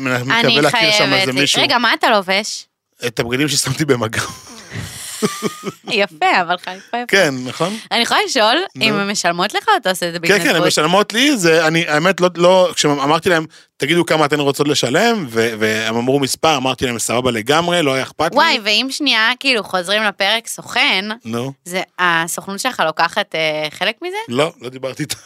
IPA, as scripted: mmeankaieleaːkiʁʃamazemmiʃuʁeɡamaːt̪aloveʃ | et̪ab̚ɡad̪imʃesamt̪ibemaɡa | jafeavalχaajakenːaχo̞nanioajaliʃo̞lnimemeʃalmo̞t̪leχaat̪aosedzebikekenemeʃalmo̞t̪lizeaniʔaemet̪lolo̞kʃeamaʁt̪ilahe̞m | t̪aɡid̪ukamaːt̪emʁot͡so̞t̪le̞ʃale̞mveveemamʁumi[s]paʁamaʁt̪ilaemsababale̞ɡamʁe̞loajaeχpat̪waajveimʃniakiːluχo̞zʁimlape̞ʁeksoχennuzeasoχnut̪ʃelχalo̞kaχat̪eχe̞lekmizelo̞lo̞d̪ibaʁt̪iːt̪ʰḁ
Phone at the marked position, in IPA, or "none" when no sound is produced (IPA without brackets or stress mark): s